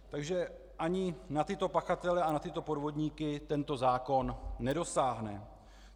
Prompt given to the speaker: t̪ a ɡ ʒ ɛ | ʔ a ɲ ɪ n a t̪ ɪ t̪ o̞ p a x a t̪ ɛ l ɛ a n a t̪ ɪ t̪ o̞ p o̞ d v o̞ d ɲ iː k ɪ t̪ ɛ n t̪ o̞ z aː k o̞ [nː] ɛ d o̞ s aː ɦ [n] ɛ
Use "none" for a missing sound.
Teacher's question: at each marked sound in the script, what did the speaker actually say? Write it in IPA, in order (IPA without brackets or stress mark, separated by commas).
nː, n